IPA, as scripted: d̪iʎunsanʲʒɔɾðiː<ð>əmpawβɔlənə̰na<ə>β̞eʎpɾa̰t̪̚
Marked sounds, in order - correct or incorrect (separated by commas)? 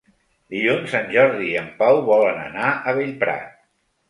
incorrect, correct